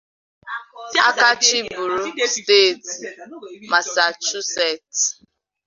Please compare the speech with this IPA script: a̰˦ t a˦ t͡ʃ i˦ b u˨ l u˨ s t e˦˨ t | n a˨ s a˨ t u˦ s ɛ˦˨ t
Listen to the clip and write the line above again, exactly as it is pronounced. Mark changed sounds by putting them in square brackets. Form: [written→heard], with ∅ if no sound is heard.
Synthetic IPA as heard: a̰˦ [t→k] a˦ t͡ʃ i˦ b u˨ [l→ɾ] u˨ s t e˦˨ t | [n→m] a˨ s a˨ [t→t͡ʃ] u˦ s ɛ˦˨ t